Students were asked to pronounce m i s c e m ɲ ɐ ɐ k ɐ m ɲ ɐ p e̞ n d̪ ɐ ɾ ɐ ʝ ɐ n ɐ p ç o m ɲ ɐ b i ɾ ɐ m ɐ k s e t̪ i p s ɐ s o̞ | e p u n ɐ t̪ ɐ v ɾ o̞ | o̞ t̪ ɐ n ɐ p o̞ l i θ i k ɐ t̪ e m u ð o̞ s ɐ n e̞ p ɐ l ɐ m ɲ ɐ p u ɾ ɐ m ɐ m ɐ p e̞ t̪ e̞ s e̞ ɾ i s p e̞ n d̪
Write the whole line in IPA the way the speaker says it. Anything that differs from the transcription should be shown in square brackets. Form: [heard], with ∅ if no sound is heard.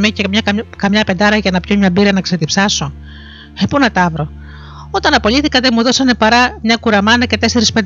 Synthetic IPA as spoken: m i [∅] c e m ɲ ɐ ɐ k ɐ m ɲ ɐ p e̞ n d̪ ɐ ɾ ɐ ʝ ɐ n ɐ p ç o m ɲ ɐ b i ɾ ɐ [n] ɐ k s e t̪ i p s ɐ s o̞ | e p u n ɐ t̪ ɐ v ɾ o̞ | o̞ t̪ ɐ n ɐ p o̞ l i θ i k ɐ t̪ e m u ð o̞ s ɐ n e̞ p ɐ [ɾ] ɐ m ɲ ɐ [k] u ɾ ɐ m ɐ [n] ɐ [c] e̞ t̪ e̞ s e̞ ɾ i s p e̞ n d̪